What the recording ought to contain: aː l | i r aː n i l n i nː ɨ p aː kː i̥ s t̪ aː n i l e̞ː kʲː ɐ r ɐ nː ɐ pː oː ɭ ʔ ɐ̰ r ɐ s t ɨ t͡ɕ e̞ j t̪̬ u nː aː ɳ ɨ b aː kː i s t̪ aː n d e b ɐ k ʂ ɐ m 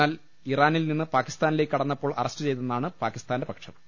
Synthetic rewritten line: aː l | i r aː n i l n i nː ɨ p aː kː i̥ s t̪ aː n i l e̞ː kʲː ɐ ɽ ɐ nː ɐ pː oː ɭ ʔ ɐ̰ r ɐ s t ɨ t͡ɕ e̞ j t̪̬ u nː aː ɳ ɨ p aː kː i s t̪ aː n d e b ɐ k ʂ ɐ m